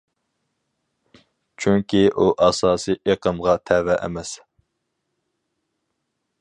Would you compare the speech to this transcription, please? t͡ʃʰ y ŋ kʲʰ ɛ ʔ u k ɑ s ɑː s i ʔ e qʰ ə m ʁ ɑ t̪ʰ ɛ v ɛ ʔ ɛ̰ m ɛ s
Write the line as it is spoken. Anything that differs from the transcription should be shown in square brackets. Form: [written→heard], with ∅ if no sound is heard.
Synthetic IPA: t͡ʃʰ y ŋ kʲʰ [ɛ→i] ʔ u [k→ʔ] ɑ s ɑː s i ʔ e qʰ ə m ʁ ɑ t̪ʰ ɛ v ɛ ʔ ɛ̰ m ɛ s